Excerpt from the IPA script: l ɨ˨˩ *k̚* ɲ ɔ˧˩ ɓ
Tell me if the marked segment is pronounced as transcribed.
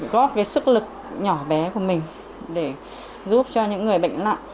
yes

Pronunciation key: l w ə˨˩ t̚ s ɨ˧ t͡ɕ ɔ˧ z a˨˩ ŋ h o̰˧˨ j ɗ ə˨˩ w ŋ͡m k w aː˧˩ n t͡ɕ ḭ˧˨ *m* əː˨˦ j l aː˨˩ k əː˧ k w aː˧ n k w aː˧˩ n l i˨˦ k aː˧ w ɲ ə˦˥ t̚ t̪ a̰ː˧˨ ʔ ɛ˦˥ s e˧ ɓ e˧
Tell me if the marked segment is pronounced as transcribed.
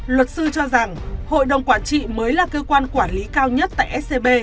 yes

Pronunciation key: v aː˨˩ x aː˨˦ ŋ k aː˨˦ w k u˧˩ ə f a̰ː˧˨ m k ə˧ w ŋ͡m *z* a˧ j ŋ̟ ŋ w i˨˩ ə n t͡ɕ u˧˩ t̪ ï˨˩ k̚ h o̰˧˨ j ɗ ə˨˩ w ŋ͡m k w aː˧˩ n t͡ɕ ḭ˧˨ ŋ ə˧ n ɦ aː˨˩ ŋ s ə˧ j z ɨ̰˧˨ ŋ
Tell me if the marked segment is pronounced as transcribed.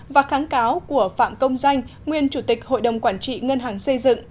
yes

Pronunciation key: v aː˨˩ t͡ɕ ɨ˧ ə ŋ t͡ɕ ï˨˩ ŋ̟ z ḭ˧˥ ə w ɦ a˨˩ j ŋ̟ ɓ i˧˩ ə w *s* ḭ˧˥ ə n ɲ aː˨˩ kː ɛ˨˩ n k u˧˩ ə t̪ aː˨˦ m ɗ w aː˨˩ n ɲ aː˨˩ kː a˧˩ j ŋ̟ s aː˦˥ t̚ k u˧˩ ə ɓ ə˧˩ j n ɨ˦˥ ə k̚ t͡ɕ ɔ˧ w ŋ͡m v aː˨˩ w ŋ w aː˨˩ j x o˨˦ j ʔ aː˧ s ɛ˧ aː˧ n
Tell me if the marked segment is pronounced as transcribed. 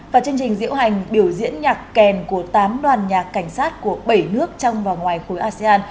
no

